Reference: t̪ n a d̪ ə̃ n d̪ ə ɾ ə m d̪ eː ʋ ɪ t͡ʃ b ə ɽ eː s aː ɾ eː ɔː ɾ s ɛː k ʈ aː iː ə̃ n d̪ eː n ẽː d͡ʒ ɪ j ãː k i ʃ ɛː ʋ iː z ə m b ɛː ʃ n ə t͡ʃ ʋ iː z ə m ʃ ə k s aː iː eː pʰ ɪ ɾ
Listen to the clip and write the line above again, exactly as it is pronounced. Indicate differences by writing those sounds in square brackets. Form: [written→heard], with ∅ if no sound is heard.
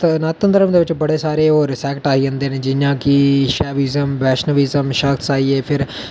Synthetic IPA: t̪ n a [d̪→t̪] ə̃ n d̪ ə ɾ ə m d̪ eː ʋ ɪ t͡ʃ b ə ɽ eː s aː ɾ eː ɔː ɾ s ɛː k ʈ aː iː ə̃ n d̪ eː n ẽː d͡ʒ ɪ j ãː k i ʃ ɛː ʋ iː z ə m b ɛː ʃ n ə [t͡ʃ→∅] ʋ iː z ə m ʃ ə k s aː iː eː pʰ ɪ ɾ